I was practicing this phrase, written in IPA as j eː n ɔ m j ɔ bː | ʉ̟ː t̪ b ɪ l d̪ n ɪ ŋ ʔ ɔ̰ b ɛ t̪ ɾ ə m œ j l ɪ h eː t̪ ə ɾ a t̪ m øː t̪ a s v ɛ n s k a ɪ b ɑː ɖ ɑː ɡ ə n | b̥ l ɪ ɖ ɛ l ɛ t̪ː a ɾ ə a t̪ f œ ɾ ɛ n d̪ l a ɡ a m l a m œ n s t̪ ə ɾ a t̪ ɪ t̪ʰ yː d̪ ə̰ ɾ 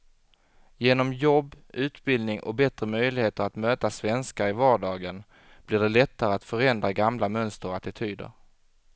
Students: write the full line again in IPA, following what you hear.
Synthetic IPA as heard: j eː n ɔ m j ɔ bː | ʉ̟ː t̪ b ɪ l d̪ n ɪ ŋ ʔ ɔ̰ b ɛ t̪ ɾ ə m œ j l ɪ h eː t̪ ə ɾ a t̪ m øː t̪ a s v ɛ n s k a ɪ v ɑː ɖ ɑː ɡ ə n | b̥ l ɪ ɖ ɛ l ɛ t̪ː a ɾ ə a t̪ f œ ɾ ɛ n d̪ ɾ a ɡ a m l a m œ n s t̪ ə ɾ a t̪ ɪ t̪ʰ yː d̪ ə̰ ɾ